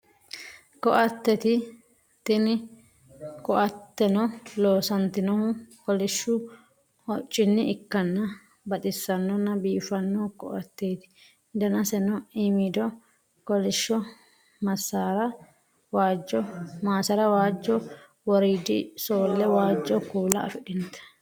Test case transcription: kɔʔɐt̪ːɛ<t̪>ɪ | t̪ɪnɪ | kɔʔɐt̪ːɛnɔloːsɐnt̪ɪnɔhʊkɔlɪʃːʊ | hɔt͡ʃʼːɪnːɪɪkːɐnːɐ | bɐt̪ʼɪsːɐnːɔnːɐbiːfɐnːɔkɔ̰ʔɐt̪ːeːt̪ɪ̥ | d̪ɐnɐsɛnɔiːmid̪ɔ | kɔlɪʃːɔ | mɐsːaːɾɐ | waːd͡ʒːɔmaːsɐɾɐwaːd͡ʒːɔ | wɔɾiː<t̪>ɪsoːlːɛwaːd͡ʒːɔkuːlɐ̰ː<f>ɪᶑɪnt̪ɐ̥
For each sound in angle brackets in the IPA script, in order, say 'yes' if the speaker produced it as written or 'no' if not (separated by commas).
yes, no, yes